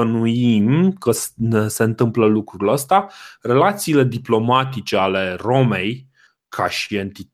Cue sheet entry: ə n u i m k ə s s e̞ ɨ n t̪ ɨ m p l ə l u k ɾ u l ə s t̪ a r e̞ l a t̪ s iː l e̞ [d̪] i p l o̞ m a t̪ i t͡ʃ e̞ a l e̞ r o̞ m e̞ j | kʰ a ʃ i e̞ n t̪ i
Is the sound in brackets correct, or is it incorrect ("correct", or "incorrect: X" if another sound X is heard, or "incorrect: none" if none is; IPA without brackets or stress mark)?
correct